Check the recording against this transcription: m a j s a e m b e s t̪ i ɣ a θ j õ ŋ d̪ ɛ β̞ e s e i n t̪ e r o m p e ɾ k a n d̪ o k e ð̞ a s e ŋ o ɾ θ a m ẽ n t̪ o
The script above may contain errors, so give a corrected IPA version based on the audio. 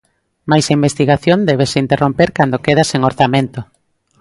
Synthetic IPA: m a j s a i m b e s t̪ i ɣ a θ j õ n d̪ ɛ β̞ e s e i n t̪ e r o m p e ɾ k a n d̪ o k e ð̞ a s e ŋ o ɾ θ a m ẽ n t̪ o